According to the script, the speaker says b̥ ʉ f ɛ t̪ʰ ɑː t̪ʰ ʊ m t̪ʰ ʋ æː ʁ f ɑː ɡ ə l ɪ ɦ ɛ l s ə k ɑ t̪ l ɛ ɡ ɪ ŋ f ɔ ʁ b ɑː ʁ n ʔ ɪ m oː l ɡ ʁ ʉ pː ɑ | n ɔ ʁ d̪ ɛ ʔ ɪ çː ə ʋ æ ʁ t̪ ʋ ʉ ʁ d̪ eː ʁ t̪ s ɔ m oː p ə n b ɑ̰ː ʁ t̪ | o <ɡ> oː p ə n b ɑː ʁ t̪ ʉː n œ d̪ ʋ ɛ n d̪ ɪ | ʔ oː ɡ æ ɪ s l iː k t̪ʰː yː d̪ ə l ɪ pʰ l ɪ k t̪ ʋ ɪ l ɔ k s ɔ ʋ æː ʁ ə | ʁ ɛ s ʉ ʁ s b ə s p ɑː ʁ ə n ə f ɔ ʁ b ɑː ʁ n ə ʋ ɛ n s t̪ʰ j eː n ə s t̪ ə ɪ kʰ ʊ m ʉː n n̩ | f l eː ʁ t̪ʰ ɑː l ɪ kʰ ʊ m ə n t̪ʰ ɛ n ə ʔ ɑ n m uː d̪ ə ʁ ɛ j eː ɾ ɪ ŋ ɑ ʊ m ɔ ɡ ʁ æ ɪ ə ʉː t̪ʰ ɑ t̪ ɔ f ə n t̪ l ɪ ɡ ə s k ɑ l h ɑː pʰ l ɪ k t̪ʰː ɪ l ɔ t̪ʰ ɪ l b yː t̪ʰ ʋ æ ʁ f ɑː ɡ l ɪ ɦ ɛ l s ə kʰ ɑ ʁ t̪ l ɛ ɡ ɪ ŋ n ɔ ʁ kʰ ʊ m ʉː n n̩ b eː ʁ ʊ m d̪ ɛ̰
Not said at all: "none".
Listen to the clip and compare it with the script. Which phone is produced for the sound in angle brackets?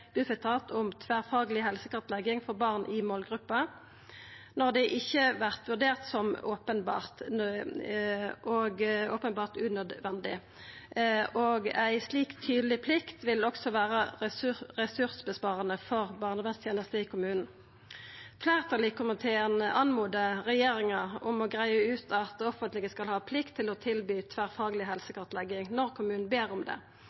ɡ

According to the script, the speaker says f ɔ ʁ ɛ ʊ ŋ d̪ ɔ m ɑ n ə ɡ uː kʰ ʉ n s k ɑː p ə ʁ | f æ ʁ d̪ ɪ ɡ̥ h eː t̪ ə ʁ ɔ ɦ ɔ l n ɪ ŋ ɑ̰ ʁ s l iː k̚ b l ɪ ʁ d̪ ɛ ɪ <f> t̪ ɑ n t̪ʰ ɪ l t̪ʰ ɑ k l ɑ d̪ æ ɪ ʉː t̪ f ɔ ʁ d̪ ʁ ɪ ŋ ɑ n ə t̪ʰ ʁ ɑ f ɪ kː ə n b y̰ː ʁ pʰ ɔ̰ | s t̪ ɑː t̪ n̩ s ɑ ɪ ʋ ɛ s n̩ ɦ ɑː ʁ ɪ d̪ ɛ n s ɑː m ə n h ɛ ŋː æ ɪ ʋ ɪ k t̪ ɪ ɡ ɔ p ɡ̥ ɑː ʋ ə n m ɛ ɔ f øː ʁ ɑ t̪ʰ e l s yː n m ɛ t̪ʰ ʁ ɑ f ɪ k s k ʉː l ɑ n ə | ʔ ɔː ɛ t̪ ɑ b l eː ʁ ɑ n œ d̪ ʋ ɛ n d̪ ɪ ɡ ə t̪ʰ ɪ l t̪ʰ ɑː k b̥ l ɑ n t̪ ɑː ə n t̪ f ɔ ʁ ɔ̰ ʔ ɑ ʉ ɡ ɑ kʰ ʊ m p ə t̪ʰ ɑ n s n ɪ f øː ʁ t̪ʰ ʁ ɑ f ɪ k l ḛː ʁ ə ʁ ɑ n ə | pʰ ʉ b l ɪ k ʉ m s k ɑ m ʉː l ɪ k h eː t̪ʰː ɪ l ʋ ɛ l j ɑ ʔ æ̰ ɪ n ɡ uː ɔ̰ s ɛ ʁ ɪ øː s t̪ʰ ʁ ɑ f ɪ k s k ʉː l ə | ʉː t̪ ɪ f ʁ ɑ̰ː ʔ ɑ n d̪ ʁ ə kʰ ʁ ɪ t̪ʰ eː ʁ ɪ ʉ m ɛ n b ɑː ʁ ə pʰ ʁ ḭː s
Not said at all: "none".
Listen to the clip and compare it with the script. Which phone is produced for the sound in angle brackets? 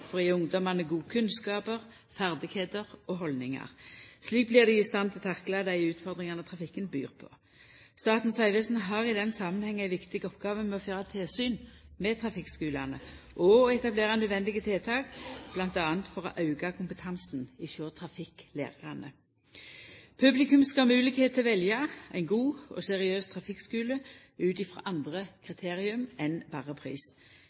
s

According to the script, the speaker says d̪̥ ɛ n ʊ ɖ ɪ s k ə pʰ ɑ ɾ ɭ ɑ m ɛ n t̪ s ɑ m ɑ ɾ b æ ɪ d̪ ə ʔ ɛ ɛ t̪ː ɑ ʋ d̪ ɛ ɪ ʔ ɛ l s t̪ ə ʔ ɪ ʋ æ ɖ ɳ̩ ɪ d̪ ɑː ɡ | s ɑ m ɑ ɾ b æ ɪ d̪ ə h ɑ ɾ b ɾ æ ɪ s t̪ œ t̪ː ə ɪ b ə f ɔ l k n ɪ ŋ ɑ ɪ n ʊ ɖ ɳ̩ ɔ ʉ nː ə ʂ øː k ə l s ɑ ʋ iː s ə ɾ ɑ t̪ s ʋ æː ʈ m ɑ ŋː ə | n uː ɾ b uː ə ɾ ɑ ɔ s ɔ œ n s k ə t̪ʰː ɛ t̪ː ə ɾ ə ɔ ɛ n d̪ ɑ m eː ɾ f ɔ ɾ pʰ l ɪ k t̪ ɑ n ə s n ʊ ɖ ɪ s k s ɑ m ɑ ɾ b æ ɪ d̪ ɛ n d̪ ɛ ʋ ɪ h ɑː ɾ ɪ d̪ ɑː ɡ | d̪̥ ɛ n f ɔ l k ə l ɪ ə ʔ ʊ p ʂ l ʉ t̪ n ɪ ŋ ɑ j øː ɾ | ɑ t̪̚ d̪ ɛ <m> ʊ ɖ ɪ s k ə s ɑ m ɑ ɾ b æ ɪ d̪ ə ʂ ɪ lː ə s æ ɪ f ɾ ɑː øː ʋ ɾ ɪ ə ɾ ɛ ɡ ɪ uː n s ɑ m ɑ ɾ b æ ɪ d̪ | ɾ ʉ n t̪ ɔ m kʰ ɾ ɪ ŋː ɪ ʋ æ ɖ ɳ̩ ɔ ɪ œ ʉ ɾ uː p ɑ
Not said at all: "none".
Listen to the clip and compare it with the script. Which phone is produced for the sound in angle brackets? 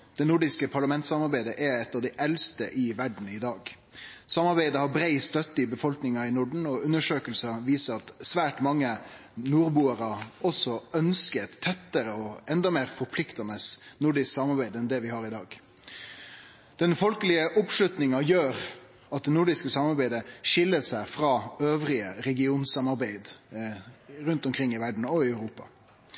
n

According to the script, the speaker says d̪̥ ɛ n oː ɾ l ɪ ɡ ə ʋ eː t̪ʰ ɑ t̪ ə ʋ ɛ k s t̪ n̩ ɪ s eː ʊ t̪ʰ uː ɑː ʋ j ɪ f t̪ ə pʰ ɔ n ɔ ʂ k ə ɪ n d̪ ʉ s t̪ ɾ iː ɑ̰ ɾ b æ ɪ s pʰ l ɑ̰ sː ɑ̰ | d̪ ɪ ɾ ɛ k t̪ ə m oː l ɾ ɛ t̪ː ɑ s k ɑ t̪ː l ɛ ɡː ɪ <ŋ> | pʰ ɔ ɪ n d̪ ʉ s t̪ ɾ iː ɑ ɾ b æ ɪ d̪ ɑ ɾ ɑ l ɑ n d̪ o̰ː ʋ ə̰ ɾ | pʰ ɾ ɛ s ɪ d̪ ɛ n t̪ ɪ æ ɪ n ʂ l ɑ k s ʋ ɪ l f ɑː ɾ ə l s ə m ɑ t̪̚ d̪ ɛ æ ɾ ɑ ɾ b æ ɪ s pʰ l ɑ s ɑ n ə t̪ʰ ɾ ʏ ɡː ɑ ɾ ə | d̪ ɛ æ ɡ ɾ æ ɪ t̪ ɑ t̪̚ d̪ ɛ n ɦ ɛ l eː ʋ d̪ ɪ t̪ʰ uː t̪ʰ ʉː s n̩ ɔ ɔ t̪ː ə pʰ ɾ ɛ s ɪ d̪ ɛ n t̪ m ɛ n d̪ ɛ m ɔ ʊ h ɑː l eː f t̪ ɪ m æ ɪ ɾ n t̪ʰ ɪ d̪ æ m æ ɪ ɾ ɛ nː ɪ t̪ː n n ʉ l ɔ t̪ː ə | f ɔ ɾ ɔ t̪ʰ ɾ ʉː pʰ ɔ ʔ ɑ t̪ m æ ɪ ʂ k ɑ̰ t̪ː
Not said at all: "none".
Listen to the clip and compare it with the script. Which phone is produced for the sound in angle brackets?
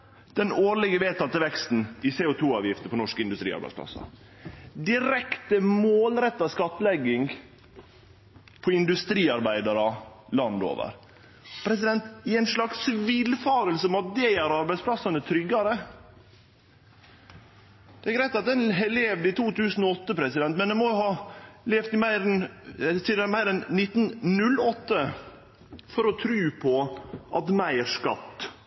ŋ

